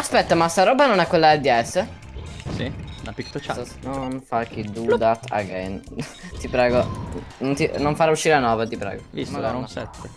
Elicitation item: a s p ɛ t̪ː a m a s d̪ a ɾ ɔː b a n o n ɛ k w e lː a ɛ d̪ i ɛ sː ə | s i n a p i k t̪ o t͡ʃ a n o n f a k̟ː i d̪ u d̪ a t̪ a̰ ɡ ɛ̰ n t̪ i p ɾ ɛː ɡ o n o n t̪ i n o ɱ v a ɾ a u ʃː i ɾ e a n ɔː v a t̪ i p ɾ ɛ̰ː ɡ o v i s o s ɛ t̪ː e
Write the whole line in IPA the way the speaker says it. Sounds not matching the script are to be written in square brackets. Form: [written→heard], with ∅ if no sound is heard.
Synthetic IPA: a s p ɛ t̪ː a m a s [d̪→t̪] a ɾ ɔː b a n o n ɛ k w e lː a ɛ d̪ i ɛ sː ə | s i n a p i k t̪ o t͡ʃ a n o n f a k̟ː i d̪ u d̪ a t̪ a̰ ɡ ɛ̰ n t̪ i p ɾ ɛː ɡ o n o n t̪ i n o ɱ [v→f] a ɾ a u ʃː i ɾ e a n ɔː v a t̪ i p ɾ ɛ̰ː ɡ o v i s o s ɛ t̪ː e